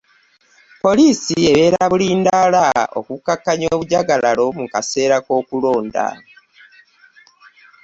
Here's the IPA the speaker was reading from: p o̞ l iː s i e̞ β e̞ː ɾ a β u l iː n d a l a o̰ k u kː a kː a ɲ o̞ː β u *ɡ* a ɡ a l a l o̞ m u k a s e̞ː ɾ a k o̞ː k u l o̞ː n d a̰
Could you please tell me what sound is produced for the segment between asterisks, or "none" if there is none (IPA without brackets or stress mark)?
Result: ɟ